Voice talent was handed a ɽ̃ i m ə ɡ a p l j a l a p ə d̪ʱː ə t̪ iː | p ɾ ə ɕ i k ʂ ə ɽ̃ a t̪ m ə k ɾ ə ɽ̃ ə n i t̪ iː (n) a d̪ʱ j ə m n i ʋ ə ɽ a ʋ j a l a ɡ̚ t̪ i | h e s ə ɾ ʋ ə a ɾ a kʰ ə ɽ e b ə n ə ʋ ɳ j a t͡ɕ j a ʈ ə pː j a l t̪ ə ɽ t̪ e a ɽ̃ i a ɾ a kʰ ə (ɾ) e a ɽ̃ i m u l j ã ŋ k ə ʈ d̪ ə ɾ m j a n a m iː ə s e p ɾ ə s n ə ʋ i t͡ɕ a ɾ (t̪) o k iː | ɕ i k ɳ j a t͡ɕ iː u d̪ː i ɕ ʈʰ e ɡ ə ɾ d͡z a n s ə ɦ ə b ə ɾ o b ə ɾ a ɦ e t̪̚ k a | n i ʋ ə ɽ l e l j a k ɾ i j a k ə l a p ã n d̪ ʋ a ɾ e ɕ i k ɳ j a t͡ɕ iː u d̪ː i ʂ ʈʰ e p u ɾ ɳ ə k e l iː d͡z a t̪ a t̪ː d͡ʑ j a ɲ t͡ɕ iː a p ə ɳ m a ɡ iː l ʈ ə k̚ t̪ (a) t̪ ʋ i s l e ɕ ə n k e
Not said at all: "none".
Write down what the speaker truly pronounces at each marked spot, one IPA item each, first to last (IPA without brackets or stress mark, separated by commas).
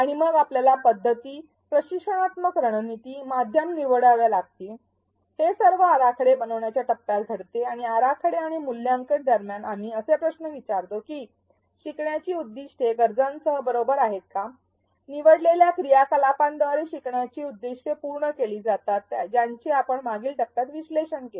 m, ɽ, t̪, a